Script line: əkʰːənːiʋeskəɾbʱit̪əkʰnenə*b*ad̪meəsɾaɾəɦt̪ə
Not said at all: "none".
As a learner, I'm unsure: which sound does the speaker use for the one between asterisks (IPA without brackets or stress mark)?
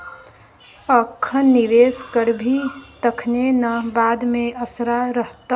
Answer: b